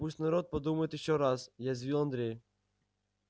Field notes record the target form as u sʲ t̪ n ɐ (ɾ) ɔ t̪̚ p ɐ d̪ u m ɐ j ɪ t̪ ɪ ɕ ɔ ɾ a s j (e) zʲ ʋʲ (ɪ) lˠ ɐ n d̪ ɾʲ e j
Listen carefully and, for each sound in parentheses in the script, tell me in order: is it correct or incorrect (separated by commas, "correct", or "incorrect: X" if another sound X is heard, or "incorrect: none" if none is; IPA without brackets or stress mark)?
correct, incorrect: a, incorrect: i